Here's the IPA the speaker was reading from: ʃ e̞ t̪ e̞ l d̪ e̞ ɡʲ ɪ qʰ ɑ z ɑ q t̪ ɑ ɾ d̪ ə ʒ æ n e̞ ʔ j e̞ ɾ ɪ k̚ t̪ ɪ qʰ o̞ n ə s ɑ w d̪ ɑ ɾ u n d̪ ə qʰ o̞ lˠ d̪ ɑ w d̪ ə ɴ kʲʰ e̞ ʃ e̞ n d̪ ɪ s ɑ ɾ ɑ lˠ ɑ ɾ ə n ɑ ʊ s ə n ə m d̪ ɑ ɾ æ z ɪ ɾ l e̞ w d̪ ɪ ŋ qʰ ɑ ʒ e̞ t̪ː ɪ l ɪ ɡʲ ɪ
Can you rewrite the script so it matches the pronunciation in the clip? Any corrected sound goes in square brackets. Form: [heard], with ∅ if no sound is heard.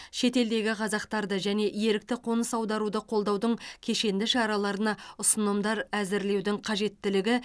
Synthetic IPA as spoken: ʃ e̞ t̪ e̞ l d̪ e̞ ɡʲ ɪ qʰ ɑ z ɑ q t̪ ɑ ɾ d̪ ə ʒ æ n e̞ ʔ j e̞ ɾ ɪ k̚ t̪ ɪ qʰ o̞ n ə s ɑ w d̪ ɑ ɾ u [∅] d̪ ə qʰ o̞ lˠ d̪ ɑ w d̪ ə ɴ kʲʰ e̞ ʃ e̞ n d̪ ɪ [ʃ] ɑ ɾ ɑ lˠ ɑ ɾ ə n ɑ ʊ s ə n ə m d̪ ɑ ɾ æ z ɪ ɾ l e̞ w d̪ ɪ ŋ qʰ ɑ ʒ e̞ t̪ː ɪ l ɪ ɡʲ ɪ